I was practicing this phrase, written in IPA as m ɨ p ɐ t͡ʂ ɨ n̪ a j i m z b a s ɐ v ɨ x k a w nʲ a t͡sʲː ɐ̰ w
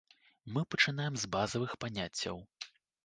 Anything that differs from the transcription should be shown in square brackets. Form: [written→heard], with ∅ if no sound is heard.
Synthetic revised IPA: m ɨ p ɐ t͡ʂ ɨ n̪ a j [i→ɛ] m z b a [s→z] ɐ v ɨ x [k→p] a [w→∅] nʲ a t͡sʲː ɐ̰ w